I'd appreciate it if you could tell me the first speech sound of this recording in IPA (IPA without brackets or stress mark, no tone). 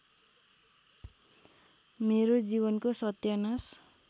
m